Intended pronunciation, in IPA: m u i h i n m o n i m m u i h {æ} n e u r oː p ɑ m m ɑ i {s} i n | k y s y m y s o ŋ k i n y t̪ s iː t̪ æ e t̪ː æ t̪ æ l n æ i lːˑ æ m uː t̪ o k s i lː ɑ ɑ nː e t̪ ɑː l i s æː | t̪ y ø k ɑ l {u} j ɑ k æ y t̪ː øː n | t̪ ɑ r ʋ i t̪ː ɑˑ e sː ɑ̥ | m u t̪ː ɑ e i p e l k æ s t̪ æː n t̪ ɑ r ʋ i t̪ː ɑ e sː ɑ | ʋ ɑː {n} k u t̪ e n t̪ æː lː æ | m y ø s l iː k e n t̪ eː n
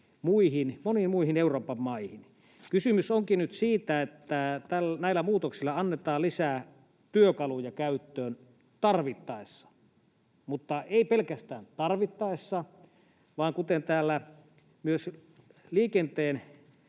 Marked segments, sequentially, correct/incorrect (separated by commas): incorrect, incorrect, correct, incorrect